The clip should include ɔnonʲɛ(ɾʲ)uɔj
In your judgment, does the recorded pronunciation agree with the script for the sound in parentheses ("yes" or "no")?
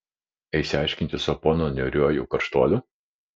yes